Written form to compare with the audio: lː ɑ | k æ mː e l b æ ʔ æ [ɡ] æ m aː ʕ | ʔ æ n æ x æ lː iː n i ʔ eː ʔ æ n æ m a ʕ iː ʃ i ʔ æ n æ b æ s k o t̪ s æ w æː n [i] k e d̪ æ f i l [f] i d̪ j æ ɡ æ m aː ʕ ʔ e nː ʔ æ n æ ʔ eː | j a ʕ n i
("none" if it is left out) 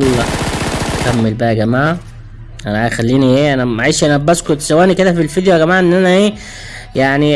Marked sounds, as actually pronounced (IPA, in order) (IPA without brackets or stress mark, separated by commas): ɡ, i, f